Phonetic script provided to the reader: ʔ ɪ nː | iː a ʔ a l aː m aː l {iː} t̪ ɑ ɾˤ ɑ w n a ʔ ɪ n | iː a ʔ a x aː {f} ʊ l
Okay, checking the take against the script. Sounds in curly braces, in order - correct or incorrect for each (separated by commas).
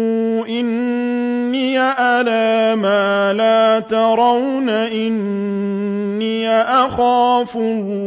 incorrect, correct